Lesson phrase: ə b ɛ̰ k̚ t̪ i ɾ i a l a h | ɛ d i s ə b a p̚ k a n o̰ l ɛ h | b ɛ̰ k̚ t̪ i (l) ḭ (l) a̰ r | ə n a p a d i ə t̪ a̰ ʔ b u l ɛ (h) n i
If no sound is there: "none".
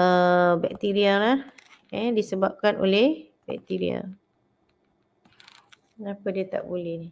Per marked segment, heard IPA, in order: ɾ, none, h

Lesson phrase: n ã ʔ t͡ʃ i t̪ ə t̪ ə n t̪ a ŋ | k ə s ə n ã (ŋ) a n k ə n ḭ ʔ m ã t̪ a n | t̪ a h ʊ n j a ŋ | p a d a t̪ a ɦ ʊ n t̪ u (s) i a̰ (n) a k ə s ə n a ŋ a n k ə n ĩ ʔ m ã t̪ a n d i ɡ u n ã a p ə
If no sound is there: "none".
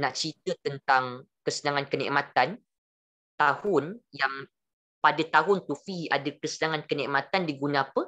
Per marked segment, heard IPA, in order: ŋ, f, d

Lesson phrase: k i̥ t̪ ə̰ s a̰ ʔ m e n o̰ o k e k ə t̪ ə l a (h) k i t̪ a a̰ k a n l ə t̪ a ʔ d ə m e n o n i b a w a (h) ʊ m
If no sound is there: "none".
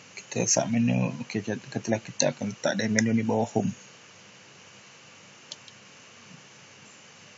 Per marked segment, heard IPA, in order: h, h

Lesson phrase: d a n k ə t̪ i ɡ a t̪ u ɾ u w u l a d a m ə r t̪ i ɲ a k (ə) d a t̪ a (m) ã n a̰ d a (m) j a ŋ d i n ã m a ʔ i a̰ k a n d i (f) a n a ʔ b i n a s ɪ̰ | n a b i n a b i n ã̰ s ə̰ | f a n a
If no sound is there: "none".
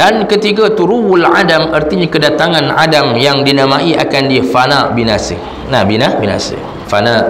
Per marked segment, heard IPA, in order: ə, ŋ, m, f

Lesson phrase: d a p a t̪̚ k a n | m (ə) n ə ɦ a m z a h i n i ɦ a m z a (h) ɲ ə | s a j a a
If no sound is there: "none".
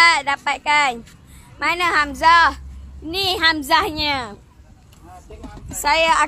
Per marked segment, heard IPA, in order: a, h

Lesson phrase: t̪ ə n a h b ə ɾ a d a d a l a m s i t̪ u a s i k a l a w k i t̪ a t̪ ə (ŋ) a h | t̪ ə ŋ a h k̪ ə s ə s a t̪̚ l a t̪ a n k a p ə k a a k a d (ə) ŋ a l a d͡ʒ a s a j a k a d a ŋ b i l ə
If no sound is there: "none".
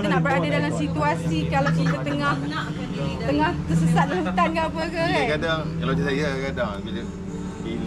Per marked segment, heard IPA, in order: ŋ, a

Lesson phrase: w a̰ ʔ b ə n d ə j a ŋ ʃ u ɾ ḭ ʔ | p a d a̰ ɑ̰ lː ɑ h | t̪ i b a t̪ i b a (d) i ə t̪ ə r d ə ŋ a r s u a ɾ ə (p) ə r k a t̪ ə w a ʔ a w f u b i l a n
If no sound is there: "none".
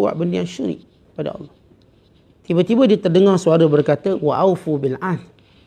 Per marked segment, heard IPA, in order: d, b

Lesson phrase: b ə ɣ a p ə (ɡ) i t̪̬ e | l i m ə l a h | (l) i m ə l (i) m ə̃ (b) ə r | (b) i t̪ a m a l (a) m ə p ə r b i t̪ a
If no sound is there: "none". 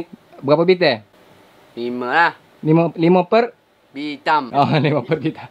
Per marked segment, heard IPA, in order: b, l, i, p, b, i

